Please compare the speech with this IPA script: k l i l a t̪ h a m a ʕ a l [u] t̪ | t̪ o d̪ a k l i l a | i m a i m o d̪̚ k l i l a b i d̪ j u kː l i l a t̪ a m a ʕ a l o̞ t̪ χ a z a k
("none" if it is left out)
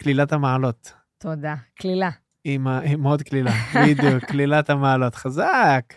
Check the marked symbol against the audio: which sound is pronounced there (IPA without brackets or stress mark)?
o